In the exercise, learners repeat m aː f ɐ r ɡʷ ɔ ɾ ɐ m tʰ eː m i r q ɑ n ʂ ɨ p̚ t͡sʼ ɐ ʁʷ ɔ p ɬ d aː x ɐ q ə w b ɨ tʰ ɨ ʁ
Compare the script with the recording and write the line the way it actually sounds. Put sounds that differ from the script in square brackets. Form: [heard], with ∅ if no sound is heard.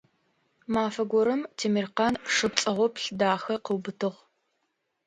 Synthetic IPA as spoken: m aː f ɐ [∅] ɡʷ ɔ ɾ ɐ m tʰ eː m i r q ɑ n ʂ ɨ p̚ t͡sʼ ɐ ʁʷ ɔ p ɬ d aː x ɐ q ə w b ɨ tʰ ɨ ʁ